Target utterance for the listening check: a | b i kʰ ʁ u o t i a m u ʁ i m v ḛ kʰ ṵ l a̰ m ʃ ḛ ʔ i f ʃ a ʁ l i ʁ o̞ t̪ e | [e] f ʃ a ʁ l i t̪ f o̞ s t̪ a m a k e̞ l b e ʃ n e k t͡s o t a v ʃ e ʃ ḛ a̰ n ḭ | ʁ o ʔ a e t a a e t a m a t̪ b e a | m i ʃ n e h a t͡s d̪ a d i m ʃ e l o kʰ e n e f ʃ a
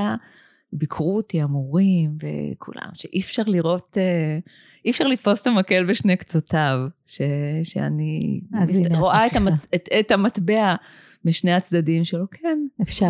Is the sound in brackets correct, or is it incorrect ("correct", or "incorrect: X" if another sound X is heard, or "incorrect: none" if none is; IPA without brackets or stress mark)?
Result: incorrect: i